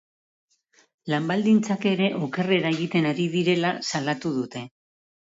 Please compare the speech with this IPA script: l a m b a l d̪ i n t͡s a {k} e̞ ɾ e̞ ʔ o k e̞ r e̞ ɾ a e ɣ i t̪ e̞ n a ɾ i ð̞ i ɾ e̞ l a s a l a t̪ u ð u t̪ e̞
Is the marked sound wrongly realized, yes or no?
no